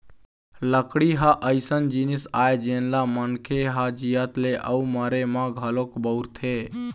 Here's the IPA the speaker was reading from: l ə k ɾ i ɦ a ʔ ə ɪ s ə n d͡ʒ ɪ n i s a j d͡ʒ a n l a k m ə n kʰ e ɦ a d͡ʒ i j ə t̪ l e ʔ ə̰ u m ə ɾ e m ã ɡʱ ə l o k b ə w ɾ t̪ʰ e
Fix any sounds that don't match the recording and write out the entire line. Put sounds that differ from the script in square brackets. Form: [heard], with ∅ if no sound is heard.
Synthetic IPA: l ə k [ɽ] i ɦ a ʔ ə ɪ s ə n d͡ʒ [i] n i s a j d͡ʒ [e] n l a [∅] m ə n kʰ e ɦ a d͡ʒ i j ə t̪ l e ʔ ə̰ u m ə ɾ e m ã ɡʱ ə l o k b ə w ɾ t̪ʰ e